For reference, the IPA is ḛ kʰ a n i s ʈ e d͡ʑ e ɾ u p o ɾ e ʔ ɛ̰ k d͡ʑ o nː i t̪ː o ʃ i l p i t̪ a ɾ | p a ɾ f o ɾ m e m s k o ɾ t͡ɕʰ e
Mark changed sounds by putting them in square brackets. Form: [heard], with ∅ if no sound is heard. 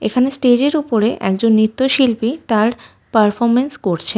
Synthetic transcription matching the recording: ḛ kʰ a n [e] s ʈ e d͡ʑ e ɾ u p o ɾ e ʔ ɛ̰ k d͡ʑ o nː i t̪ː o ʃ i l p i t̪ a ɾ | p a ɾ f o ɾ m e [n] s k o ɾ t͡ɕʰ e